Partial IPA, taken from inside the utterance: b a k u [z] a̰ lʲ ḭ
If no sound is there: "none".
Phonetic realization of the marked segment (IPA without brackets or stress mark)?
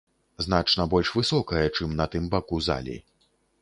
z